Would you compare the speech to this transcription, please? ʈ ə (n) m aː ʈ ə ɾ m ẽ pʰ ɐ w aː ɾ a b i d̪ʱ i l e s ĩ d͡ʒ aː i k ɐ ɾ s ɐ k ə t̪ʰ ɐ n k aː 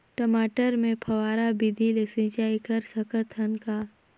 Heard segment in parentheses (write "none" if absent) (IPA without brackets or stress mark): none